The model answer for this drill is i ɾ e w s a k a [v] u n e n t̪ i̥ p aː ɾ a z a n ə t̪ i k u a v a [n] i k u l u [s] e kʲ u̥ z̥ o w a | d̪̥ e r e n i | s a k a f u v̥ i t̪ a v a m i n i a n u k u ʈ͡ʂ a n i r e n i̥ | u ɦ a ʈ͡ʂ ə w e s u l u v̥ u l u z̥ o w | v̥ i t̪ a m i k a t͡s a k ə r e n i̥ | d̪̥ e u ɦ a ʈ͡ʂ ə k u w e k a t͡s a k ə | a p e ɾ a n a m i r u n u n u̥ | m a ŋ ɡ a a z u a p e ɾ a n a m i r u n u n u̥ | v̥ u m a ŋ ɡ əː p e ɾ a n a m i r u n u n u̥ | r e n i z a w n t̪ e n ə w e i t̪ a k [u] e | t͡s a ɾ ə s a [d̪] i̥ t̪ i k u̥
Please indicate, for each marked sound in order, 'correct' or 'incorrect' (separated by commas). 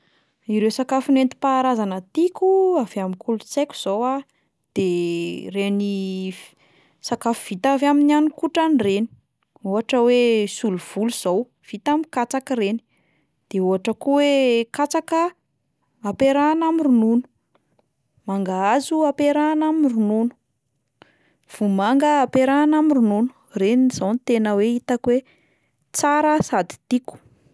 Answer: incorrect, incorrect, incorrect, incorrect, correct